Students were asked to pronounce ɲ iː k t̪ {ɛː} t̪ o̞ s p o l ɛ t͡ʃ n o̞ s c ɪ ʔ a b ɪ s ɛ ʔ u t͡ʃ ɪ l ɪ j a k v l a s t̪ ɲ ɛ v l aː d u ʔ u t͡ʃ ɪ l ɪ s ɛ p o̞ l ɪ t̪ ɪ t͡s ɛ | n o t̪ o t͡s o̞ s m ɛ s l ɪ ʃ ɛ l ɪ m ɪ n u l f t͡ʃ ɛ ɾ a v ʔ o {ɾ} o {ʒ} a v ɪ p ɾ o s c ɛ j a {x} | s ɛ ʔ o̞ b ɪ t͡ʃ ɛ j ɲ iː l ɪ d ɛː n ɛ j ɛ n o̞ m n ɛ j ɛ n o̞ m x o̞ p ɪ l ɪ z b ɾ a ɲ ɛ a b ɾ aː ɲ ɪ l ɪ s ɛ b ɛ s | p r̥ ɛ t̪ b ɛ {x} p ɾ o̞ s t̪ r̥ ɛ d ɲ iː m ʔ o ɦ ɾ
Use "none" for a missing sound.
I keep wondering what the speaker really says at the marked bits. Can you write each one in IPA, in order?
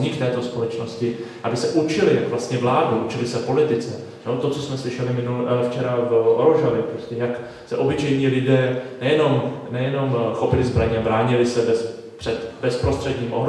ɛː, ɾ, ʒ, k, s

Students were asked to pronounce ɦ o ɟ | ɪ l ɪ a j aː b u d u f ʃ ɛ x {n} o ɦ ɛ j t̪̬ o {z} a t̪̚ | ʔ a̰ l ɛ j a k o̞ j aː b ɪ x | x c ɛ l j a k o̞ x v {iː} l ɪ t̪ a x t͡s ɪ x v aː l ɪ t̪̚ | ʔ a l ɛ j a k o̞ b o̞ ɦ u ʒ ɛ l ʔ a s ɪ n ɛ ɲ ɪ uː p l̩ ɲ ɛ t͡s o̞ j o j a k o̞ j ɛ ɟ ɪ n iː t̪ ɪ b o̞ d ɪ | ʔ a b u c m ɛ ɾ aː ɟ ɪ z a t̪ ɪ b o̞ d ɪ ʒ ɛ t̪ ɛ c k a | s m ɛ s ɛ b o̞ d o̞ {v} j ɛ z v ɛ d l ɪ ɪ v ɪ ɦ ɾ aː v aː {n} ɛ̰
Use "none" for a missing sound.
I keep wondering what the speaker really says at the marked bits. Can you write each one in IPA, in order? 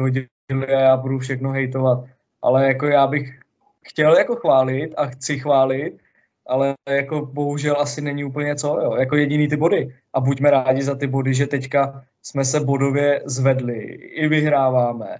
n, v, aː, v, m

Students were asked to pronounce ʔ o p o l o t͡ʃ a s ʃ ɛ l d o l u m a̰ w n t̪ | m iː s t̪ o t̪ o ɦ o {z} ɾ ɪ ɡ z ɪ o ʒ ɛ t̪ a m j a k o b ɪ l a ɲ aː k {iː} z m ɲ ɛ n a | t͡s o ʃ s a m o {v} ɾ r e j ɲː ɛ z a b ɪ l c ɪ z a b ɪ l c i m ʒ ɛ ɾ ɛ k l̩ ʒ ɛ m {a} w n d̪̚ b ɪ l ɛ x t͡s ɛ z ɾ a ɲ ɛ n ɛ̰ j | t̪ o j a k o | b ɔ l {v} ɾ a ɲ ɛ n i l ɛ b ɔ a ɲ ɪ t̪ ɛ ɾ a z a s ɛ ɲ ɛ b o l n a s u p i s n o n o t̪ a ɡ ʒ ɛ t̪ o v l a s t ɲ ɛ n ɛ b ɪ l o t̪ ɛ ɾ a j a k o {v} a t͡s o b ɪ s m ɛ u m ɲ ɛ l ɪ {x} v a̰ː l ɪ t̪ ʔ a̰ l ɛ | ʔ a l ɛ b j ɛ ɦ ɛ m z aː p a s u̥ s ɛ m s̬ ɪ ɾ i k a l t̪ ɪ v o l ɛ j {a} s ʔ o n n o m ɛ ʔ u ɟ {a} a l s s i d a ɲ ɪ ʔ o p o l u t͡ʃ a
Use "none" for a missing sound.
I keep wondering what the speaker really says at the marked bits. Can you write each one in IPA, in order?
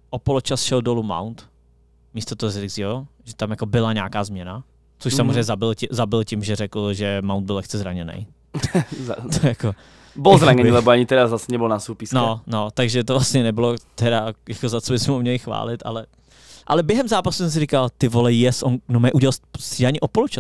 z, aː, z, a, z, z, x, ɛ, ɛ

